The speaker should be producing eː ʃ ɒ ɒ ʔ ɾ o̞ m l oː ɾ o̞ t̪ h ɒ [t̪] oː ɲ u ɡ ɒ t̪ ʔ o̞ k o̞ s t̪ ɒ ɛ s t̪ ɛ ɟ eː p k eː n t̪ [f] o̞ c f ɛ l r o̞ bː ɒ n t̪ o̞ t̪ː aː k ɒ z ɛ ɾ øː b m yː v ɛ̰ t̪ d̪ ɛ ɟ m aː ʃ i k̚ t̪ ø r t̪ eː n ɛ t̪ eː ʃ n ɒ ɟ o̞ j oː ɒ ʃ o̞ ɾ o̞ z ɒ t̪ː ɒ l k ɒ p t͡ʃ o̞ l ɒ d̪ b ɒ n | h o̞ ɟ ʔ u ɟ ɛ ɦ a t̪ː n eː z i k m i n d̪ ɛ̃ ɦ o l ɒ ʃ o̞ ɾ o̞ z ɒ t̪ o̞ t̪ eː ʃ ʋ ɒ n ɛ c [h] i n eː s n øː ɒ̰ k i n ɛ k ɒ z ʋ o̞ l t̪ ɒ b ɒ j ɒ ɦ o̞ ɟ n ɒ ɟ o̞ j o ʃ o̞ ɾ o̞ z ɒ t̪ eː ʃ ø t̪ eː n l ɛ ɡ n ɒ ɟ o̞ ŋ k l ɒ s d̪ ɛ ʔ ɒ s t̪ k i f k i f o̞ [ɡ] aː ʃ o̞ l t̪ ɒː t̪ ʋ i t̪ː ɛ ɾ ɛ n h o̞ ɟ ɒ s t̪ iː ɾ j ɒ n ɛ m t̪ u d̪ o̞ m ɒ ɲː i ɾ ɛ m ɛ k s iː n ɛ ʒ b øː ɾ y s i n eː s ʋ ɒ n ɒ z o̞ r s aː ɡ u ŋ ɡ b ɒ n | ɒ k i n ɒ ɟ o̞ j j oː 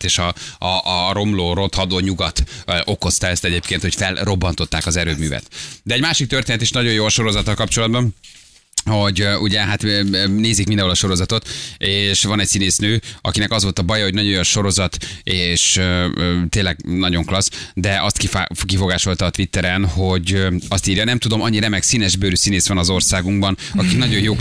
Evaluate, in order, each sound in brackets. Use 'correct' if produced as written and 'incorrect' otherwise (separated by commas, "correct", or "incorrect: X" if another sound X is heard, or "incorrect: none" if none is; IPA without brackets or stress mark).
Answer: incorrect: d̪, incorrect: h, incorrect: s, correct